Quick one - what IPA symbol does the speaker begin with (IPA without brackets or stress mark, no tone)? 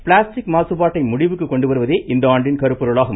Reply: p